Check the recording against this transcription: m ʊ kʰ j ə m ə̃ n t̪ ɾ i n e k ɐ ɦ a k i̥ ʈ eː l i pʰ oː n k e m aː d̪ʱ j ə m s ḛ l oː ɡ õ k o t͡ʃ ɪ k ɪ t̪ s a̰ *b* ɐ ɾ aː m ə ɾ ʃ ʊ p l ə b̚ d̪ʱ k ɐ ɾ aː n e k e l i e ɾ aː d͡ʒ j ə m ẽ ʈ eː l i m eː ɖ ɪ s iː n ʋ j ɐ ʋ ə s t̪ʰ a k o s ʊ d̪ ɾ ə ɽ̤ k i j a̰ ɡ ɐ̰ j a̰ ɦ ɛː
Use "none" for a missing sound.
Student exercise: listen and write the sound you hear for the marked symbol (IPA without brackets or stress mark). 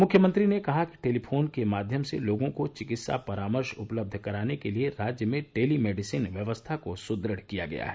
p